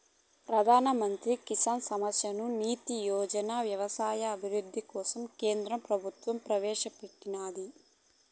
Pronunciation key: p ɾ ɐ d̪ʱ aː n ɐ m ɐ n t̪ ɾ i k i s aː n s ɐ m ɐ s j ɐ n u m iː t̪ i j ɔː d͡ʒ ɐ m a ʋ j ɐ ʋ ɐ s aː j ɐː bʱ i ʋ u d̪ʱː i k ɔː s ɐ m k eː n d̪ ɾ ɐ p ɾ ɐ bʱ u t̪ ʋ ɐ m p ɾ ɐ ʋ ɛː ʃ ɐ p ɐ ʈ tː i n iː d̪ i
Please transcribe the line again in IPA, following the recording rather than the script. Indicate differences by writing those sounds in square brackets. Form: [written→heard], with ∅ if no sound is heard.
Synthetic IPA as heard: p ɾ ɐ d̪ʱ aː n ɐ m ɐ n t̪ ɾ i k i s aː n s ɐ m ɐ s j ɐ n u [m→n] iː t̪ i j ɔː d͡ʒ ɐ [m→n] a ʋ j ɐ ʋ ɐ s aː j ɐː bʱ i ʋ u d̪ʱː i k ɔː s ɐ m k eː n d̪ ɾ ɐ p ɾ ɐ bʱ u t̪ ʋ ɐ m p ɾ ɐ ʋ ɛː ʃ ɐ p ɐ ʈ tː i n [iː→aː] d̪ i